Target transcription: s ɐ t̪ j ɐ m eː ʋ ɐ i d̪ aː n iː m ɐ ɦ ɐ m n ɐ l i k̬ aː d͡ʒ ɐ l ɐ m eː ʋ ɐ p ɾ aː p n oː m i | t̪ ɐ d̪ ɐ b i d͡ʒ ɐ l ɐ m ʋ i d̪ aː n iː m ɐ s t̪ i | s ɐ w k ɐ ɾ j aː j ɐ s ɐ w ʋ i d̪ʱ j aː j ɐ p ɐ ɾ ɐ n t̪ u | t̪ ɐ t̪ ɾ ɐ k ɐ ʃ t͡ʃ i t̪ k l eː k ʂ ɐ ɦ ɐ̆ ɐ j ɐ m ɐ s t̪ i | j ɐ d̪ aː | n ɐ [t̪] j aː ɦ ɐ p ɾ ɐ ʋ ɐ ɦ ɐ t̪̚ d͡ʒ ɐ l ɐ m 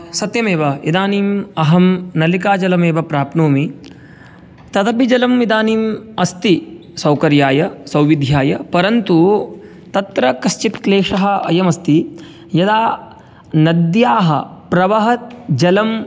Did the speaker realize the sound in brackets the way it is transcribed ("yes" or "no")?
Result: no